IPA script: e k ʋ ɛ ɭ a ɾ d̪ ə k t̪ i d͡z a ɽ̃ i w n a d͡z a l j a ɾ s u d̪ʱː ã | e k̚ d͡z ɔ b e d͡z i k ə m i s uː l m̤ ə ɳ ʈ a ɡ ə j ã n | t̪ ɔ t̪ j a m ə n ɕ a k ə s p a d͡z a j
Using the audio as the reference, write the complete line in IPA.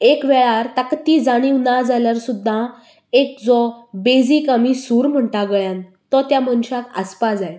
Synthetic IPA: e k ʋ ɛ ɭ a ɾ t̪ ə k t̪ i d͡z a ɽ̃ i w n a d͡z a l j a ɾ s u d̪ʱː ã | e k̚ d͡z ɔ b e d͡z i k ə m i s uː ɾ m̤ ə ɳ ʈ a ɡ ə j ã n | t̪ ɔ t̪ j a m ə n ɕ a k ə s p a d͡z a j